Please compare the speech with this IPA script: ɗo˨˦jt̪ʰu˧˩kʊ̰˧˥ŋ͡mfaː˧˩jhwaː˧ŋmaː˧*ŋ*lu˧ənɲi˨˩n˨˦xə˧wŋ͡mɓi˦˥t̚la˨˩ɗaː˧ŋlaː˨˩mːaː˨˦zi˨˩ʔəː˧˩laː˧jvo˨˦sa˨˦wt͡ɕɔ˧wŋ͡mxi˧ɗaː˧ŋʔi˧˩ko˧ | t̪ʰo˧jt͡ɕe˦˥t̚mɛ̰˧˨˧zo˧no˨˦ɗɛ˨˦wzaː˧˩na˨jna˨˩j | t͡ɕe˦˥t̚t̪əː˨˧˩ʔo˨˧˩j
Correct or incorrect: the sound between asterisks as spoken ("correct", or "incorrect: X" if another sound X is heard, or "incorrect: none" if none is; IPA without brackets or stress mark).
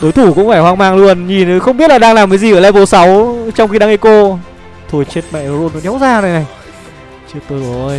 correct